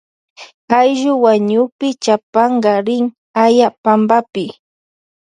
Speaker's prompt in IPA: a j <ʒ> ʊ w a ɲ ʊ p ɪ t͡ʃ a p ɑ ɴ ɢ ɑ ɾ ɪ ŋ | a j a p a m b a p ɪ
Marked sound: correct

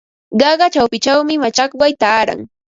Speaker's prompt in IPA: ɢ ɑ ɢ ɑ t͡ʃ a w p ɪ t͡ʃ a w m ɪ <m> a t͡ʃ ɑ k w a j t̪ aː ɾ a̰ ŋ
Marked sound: correct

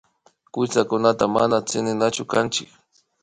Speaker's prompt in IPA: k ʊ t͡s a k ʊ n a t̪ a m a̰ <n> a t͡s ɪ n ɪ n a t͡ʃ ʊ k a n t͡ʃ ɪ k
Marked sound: correct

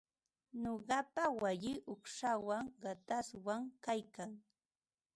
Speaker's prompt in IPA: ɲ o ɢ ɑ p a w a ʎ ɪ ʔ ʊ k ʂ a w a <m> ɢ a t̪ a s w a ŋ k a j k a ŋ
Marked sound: incorrect: ŋ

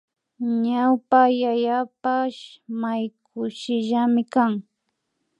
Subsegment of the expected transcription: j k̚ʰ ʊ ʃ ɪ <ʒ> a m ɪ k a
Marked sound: correct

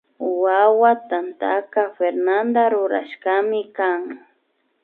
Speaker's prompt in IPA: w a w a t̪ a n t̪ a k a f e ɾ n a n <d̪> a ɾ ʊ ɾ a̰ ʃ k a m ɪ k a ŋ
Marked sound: correct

